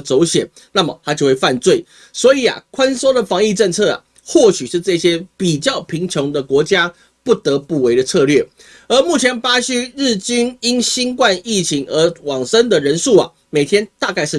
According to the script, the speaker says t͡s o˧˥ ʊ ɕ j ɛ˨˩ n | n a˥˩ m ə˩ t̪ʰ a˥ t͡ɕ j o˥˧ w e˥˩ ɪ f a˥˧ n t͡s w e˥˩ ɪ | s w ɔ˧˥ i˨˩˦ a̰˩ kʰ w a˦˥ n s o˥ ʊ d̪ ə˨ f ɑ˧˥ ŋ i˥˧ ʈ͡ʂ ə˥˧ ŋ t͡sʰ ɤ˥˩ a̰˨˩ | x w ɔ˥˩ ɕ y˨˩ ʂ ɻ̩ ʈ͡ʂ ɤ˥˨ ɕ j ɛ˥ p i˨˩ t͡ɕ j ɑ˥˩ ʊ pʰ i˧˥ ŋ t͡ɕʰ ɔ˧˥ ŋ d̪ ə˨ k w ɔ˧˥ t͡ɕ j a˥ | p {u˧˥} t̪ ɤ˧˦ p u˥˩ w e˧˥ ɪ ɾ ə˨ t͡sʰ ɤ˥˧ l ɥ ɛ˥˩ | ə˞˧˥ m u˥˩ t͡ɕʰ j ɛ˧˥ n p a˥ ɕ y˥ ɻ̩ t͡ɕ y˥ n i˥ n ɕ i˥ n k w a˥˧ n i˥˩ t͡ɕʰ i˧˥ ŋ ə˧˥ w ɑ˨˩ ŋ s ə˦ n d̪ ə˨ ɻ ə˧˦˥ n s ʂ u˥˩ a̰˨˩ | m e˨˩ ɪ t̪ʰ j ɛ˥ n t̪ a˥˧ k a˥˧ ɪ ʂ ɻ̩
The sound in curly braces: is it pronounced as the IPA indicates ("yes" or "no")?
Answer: no